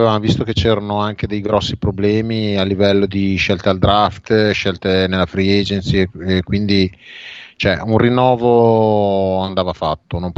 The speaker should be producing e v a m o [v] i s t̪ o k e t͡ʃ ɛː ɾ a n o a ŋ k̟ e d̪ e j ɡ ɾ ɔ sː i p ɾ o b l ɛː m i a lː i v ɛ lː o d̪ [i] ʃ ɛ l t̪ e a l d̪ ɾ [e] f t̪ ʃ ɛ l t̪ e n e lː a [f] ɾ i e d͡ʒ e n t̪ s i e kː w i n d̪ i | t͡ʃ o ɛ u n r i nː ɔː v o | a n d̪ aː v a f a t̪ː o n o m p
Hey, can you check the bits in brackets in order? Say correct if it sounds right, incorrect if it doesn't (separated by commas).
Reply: correct, correct, incorrect, correct